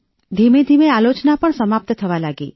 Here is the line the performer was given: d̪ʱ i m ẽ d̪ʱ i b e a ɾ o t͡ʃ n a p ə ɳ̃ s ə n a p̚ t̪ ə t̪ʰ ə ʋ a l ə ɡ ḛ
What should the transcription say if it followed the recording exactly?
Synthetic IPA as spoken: d̪ʱ i m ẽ d̪ʱ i m e a l o t͡ʃ n a p ə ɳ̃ s ə m a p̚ t̪ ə t̪ʰ ə ʋ a l a ɡ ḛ